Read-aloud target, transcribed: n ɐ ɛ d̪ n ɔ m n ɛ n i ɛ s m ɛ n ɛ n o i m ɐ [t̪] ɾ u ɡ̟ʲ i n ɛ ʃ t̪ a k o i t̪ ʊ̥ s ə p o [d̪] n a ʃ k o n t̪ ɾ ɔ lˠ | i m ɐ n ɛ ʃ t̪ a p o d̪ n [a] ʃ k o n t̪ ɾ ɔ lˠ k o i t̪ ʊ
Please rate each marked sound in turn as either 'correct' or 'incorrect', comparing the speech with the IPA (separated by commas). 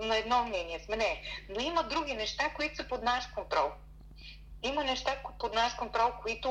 incorrect, correct, correct